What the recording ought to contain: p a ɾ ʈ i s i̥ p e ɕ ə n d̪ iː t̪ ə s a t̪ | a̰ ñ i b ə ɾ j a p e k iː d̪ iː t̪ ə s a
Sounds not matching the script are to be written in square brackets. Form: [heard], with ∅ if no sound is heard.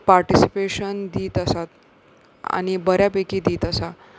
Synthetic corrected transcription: p a ɾ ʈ i s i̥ p e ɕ ə n d̪ iː t̪ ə s a t̪ | a̰ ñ i b ə ɾ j a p e k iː d̪ iː t̪ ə s a